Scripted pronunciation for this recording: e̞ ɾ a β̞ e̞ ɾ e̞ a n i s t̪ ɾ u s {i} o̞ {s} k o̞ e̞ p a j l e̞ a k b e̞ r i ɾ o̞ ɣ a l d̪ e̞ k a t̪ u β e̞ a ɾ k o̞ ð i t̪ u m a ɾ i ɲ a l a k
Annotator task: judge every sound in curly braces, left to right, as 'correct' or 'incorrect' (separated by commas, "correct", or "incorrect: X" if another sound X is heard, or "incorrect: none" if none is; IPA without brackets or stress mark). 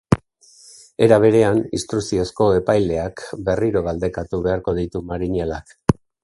correct, correct